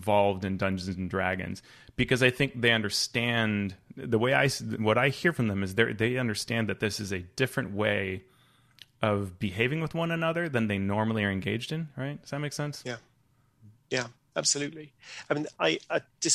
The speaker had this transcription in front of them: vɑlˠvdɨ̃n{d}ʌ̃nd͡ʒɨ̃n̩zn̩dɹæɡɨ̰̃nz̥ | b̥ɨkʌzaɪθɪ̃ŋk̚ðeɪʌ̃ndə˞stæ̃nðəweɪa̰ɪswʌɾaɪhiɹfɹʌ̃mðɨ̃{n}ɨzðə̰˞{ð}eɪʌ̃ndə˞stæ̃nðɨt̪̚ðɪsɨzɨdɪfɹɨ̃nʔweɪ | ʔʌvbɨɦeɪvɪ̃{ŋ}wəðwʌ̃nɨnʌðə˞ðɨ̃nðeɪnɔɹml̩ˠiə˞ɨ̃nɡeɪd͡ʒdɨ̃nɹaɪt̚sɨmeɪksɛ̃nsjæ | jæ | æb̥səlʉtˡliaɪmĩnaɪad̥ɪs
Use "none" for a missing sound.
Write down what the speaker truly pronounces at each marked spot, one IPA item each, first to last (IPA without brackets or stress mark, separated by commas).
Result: d, m, ð, ŋ